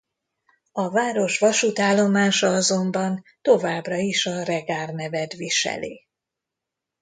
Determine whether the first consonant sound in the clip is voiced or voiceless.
voiced